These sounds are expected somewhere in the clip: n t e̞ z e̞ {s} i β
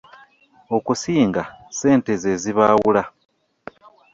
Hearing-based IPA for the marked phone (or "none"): z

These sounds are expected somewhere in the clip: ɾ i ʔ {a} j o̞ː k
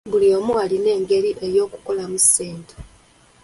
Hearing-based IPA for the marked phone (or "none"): e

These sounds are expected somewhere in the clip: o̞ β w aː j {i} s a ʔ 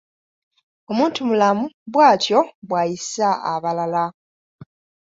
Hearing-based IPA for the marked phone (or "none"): i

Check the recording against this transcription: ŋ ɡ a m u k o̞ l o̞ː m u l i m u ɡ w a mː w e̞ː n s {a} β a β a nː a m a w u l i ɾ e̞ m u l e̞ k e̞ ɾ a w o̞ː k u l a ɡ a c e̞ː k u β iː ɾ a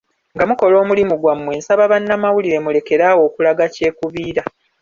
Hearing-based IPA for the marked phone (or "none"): a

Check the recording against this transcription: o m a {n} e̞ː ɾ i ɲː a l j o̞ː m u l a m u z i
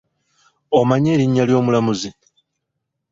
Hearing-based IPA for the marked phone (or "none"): ɲ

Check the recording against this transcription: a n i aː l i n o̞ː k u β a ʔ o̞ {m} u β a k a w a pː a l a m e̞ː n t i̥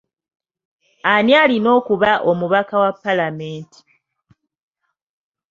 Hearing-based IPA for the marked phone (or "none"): m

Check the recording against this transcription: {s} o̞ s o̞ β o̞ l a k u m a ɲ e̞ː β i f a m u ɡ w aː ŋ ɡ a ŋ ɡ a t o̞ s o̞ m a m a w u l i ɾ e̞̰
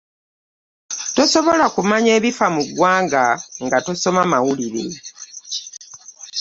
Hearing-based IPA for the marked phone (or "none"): t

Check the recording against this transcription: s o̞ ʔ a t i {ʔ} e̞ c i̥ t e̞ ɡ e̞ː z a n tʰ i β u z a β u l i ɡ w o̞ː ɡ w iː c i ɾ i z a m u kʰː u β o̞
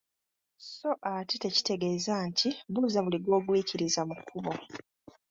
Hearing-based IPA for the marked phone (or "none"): t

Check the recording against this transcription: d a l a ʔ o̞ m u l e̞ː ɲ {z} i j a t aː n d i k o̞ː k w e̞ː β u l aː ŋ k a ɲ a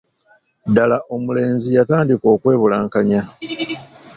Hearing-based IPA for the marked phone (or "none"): z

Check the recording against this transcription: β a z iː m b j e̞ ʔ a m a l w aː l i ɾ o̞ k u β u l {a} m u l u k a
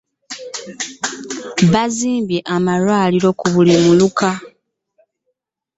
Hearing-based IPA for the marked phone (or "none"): i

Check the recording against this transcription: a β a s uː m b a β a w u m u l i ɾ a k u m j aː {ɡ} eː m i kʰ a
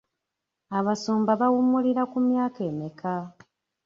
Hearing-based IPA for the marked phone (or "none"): k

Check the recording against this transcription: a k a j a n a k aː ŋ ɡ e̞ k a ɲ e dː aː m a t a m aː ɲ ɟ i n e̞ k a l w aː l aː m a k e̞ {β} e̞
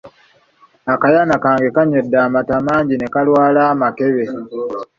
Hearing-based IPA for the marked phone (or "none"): β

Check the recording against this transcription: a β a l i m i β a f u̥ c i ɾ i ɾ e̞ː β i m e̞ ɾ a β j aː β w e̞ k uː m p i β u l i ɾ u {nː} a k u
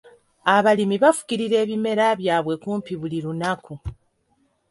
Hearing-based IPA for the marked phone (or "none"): n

